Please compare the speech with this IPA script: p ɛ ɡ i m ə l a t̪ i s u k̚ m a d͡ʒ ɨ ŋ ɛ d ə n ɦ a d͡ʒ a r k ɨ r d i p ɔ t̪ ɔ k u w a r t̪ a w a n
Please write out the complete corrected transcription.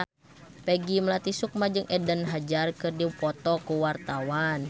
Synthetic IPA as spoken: p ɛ ɡ i m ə l a t̪ i s u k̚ m a d͡ʒ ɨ ŋ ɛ d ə n ɦ a d͡ʒ a r k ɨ r d i p ɔ t̪ ɔ k u w a r t̪ a w a n

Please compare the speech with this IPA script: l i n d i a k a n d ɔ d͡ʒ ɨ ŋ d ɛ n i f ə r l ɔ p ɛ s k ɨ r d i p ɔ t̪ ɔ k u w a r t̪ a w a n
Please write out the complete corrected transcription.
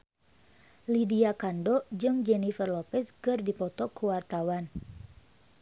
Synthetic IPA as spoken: l i d i a k a n d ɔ d͡ʒ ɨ ŋ d͡ʒ ɛ n i f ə r l ɔ p ɛ s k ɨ r d i p ɔ t̪ ɔ k u w a r t̪ a w a n

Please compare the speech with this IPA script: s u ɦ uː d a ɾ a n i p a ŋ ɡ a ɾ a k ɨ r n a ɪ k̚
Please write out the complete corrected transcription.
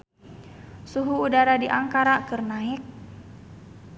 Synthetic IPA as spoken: s u ɦ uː d a ɾ a d i ʔ a ŋ k a ɾ a k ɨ r n a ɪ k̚

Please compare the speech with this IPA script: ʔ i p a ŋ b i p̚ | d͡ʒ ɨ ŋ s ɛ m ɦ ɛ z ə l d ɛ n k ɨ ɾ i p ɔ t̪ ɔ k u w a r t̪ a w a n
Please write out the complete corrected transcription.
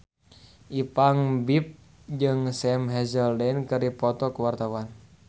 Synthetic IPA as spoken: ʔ i p a ŋ b i p̚ | d͡ʒ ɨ ŋ s ɛ m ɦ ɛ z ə l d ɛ n k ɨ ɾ i p ɔ t̪ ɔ k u w a r t̪ a w a n

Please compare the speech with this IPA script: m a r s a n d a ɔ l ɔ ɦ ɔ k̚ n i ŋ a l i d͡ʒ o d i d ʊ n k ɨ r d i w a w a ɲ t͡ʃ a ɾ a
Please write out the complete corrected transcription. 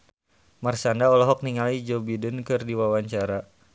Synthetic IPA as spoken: m a r s a n d a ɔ l ɔ ɦ ɔ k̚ n i ŋ a l i d͡ʒ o b i d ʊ n k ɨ r d i w a w a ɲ t͡ʃ a ɾ a

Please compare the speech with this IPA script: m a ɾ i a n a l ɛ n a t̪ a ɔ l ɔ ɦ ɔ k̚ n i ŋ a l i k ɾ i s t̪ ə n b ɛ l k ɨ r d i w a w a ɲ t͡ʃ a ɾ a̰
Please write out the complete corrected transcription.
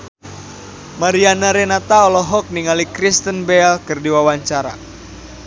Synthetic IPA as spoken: m a ɾ i a n a ɾ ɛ n a t̪ a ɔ l ɔ ɦ ɔ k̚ n i ŋ a l i k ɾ i s t̪ ə n b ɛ l k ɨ r d i w a w a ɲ t͡ʃ a ɾ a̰

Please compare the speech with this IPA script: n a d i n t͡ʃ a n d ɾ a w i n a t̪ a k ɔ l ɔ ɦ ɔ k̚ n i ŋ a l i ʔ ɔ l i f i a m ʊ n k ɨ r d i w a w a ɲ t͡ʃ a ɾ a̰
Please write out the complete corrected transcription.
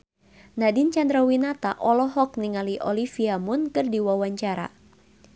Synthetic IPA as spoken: n a d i n t͡ʃ a n d ɾ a w i n a t̪ a ʔ ɔ l ɔ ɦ ɔ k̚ n i ŋ a l i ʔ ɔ l i f i a m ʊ n k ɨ r d i w a w a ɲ t͡ʃ a ɾ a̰

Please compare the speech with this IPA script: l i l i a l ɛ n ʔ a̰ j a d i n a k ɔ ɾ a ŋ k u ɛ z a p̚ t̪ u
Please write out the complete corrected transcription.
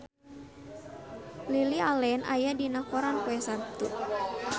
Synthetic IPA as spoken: l i l i a l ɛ n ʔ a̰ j a d i n a k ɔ ɾ a n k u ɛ s a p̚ t̪ u

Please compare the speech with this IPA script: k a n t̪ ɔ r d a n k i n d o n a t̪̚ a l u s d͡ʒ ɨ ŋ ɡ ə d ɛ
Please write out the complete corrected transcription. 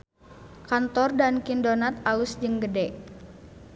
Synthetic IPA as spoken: k a n t̪ ɔ r d a n k i n d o n a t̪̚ a l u s d͡ʒ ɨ ŋ ɡ ə d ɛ

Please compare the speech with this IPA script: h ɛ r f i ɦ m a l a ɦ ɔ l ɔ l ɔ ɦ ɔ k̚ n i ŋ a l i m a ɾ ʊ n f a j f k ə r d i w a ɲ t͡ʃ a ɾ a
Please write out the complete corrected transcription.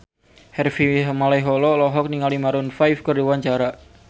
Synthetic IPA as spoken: h ɛ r f i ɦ m a l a ɦ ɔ l ɔ l ɔ ɦ ɔ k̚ n i ŋ a l i m a ɾ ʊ n f a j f k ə r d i w a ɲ t͡ʃ a ɾ a

